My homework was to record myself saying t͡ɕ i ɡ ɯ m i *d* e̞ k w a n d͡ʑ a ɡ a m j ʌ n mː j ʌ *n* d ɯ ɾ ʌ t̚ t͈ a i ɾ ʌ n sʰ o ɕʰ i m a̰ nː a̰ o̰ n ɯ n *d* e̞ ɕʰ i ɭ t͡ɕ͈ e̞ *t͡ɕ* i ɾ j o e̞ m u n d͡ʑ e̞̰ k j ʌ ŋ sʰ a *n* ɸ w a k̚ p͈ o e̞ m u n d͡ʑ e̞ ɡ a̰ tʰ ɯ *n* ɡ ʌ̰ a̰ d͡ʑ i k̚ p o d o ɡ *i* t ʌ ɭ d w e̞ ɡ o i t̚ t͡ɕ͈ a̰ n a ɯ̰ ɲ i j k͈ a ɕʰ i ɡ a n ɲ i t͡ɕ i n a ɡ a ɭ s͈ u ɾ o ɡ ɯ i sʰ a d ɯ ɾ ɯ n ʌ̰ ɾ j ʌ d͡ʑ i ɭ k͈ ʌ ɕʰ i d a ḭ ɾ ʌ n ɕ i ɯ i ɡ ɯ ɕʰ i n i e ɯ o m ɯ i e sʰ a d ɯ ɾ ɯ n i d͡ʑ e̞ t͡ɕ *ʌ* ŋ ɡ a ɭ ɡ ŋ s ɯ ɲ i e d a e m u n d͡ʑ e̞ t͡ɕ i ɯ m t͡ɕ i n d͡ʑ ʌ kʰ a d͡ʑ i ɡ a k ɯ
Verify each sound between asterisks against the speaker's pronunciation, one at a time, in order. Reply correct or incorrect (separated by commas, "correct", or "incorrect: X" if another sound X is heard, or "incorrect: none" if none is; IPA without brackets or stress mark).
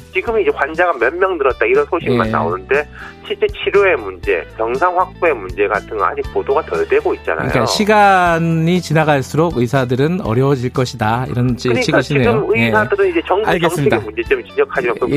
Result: incorrect: d͡ʑ, incorrect: ŋ, correct, incorrect: t͡ɕʰ, incorrect: ŋ, incorrect: ŋ, incorrect: a, correct